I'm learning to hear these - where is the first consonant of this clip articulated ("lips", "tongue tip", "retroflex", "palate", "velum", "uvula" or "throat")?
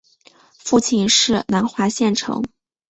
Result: lips